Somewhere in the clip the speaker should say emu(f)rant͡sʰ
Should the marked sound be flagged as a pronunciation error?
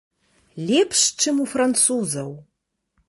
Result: no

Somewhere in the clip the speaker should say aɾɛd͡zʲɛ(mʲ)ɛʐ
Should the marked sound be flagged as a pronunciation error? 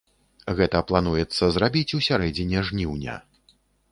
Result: yes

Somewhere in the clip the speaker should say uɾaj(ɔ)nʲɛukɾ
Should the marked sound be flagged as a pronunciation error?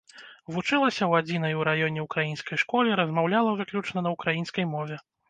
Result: no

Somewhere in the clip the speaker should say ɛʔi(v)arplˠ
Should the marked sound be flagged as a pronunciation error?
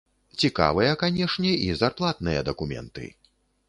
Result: yes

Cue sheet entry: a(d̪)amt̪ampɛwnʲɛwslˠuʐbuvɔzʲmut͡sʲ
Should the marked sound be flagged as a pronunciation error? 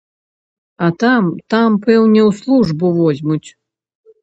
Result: yes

